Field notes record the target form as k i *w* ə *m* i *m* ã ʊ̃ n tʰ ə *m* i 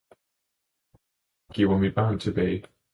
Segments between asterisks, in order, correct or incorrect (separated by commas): correct, correct, incorrect, incorrect